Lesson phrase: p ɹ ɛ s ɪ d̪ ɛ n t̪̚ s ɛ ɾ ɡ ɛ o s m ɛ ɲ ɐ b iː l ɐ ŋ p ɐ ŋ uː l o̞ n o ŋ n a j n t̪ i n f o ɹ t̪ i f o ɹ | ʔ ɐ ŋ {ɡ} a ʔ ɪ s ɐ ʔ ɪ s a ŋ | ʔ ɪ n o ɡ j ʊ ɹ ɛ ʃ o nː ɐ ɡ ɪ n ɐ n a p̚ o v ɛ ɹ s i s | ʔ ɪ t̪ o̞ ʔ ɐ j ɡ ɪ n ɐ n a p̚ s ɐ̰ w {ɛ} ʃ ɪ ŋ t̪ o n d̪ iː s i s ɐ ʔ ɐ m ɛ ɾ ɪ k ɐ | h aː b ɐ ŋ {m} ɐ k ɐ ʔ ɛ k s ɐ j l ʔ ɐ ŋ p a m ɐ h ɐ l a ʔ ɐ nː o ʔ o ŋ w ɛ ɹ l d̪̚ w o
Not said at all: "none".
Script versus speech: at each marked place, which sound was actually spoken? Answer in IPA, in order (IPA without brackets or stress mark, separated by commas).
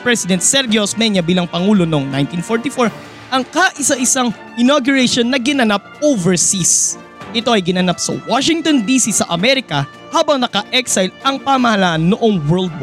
k, a, n